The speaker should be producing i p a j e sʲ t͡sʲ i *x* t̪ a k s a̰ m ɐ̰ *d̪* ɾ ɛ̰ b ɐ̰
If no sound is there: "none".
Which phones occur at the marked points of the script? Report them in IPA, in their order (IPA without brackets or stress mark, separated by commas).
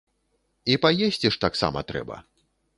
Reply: ʂ, t̪